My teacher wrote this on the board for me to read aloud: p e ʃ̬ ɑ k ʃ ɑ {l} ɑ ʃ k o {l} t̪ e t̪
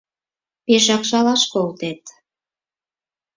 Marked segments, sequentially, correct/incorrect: correct, correct

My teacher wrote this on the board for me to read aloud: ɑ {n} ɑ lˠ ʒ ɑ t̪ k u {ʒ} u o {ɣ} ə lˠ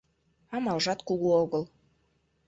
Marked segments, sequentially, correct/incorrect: incorrect: m, incorrect: ɣ, correct

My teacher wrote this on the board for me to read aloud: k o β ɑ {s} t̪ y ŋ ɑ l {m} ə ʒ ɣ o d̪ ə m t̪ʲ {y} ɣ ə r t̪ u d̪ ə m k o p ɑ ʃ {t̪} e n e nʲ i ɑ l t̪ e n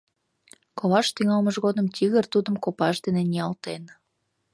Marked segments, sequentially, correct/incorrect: incorrect: ʃ, correct, incorrect: i, incorrect: d̪

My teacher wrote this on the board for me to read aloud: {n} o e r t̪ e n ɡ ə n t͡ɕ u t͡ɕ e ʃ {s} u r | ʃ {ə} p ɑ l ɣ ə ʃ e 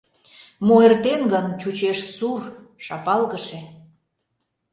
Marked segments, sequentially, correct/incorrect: incorrect: m, correct, incorrect: ɑ

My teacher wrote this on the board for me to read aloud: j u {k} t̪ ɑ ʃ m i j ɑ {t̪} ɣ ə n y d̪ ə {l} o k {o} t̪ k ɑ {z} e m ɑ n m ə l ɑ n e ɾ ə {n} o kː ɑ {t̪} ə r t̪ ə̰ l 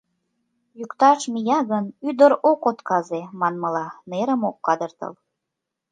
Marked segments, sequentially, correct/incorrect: correct, incorrect: none, incorrect: ɾ, correct, correct, incorrect: m, incorrect: d̪

